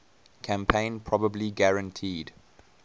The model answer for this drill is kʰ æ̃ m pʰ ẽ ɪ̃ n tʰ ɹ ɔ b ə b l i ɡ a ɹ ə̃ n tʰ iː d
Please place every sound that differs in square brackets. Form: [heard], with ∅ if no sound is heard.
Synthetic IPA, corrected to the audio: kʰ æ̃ m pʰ ẽ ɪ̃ n [pʰ] ɹ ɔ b ə b l i ɡ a ɹ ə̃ n tʰ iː d